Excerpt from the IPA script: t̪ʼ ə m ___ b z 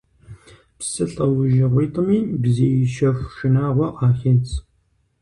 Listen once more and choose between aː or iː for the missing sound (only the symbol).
iː